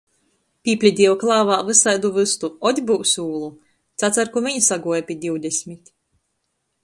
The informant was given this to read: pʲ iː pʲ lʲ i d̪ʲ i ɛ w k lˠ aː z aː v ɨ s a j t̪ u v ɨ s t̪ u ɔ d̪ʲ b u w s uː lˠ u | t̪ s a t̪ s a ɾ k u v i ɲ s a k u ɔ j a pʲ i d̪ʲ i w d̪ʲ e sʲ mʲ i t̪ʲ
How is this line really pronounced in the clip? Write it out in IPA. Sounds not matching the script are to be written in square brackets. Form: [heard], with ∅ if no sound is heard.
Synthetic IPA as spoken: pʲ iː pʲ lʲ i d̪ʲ i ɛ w k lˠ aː [v] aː v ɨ s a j [d̪] u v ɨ s t̪ u ɔ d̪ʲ b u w s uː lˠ u | t̪ s a t̪ s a ɾ k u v i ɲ s a [ɡ] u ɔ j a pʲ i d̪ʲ i w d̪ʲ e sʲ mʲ i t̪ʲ